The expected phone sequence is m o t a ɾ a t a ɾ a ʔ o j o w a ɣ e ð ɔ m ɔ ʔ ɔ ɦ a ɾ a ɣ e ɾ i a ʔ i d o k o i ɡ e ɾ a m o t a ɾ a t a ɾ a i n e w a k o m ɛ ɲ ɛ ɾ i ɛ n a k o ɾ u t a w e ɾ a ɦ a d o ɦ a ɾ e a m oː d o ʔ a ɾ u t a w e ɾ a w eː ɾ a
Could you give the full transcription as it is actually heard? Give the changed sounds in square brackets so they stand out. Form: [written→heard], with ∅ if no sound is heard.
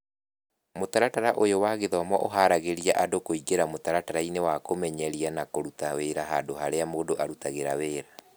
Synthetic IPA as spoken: m o t a ɾ a t a ɾ a ʔ o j o w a ɣ e ð ɔ m ɔ ʔ [ɔ→o] ɦ a ɾ a ɣ e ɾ i a ʔ [i→a] d o k o i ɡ e ɾ a m o t a ɾ a t a ɾ a i n e w a k o m ɛ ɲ ɛ ɾ i [ɛ→a] n a k o ɾ u t a w e ɾ a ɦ a d o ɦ a ɾ e a m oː d o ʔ a ɾ u t a [w→ɣ] e ɾ a w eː ɾ a

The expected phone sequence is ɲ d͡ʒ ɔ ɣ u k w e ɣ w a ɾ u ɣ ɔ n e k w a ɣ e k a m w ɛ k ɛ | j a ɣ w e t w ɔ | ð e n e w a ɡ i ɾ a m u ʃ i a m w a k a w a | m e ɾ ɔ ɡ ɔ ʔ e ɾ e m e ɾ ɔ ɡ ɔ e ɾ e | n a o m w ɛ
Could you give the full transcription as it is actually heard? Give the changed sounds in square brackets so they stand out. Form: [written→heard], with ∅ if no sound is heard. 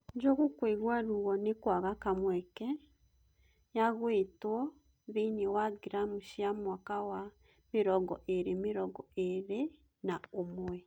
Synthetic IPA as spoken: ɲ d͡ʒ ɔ ɣ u k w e ɣ w a ɾ u ɣ ɔ n e k w a ɣ [e→a] k a m w ɛ k ɛ | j a ɣ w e t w ɔ | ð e n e w a ɡ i ɾ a m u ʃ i a m w a k a w a | m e ɾ ɔ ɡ ɔ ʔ e ɾ e m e ɾ ɔ ɡ ɔ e ɾ e | n a o m w ɛ

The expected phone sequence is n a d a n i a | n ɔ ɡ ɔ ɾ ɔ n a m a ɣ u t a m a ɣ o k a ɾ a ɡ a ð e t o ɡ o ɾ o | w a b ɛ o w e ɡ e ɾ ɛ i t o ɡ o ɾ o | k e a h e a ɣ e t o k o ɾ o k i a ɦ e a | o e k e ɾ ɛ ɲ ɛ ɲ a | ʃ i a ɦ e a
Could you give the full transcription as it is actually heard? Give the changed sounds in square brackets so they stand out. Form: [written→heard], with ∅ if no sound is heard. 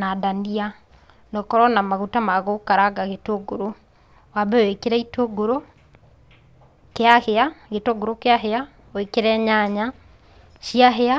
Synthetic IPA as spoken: n a d a n i a | n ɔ [ɡ→k] ɔ ɾ ɔ n a m a ɣ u t a m a ɣ o k a ɾ a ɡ a [ð→ɣ] e t o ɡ o ɾ o | w a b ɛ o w e [ɡ→k] e ɾ ɛ i t o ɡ o ɾ o | k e a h e a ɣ e t o [k→ɡ] o ɾ o k [i→e] a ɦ e a | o e k e ɾ ɛ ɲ [ɛ→a] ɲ a | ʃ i a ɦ e a

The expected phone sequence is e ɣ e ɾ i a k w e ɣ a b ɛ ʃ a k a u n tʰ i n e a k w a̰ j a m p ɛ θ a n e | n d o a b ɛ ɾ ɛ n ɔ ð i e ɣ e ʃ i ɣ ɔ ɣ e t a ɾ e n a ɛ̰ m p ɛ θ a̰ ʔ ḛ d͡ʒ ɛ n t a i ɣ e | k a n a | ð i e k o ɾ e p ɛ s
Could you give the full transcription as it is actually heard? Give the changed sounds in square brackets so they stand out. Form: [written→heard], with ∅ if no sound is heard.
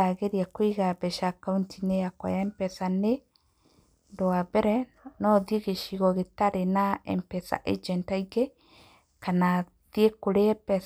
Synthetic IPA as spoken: [e→a] ɣ e ɾ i a k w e ɣ a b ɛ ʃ a k a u n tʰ i n e a k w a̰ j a m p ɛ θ a n e | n d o a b ɛ ɾ ɛ n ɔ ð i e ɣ e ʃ i ɣ ɔ ɣ e t a ɾ e n a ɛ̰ m p ɛ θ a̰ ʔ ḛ d͡ʒ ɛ n t a i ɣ e | k a n a | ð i e k o ɾ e p ɛ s

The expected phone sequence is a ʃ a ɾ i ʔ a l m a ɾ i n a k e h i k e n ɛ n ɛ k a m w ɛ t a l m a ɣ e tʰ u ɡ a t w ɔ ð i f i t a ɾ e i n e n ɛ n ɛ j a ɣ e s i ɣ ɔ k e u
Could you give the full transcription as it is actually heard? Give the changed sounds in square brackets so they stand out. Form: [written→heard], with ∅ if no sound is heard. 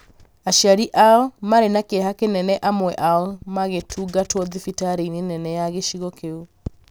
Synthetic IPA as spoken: a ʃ a ɾ i ʔ a l m a ɾ [i→e] n a k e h [i→a] k e n ɛ n ɛ [k→ʔ] a m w ɛ [t→ʔ] a l m a ɣ e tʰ u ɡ a t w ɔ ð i f i t a ɾ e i n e n ɛ n ɛ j a ɣ e [s→ʃ] i ɣ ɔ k e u

